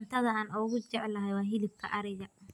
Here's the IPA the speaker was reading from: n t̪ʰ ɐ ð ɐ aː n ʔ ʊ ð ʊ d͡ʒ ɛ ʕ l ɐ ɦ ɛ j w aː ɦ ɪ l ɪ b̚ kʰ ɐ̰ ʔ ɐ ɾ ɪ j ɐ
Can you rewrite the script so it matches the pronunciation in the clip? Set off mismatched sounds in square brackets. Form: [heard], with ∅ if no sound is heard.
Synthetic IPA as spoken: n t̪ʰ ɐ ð ɐ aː n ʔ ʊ [ɣ] ʊ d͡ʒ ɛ ʕ l ɐ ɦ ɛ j w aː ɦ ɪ l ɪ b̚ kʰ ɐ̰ ʔ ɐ ɾ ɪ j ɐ